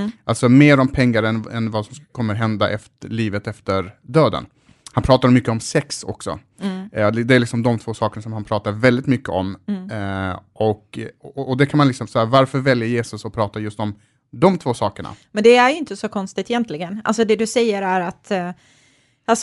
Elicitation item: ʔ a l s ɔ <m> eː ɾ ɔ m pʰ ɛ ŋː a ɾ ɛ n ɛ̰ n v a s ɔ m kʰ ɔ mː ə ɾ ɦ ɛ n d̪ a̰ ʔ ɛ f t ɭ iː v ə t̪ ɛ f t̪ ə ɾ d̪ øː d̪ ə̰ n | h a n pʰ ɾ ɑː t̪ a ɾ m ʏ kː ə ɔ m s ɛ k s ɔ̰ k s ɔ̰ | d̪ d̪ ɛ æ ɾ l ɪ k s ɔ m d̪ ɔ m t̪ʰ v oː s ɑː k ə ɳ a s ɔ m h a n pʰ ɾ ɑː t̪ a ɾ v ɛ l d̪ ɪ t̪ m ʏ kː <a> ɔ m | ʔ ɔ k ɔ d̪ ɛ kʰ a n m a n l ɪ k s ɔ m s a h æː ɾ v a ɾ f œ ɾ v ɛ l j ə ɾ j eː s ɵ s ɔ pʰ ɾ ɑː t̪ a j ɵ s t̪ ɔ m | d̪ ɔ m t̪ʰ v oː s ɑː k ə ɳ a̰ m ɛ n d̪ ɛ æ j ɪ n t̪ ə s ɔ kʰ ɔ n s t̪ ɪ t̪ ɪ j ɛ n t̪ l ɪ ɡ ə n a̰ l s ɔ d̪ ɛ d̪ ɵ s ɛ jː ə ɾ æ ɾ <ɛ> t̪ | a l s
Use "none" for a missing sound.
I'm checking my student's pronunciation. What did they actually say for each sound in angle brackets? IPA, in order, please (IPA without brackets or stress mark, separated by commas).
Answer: m, ə, a